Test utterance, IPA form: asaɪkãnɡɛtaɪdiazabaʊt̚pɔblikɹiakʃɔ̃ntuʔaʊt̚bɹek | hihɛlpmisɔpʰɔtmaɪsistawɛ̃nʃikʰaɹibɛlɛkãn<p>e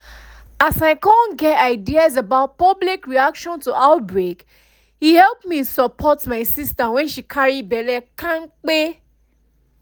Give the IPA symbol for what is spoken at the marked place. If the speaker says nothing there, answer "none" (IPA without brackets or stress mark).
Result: k͡p